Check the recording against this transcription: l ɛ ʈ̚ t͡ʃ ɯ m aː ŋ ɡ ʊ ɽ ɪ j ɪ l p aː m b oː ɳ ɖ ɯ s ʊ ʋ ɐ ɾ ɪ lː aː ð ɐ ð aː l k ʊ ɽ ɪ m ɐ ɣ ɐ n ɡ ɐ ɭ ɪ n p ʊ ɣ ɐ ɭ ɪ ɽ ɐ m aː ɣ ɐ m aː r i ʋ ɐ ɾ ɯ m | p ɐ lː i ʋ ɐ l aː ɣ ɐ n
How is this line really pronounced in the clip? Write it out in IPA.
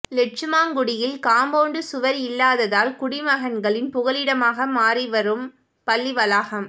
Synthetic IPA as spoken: l ɛ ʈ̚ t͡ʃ ɯ m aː ŋ ɡ ʊ ɽ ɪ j ɪ l k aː m b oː ɳ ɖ ɯ s ʊ ʋ ɐ ɾ ɪ lː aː ð ɐ ð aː l k ʊ ɽ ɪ m ɐ ɣ ɐ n ɡ ɐ ɭ ɪ n p ʊ ɣ ɐ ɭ ɪ ɽ ɐ m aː ɣ ɐ m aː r i ʋ ɐ ɾ ɯ m | p ɐ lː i ʋ ɐ l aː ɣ ɐ m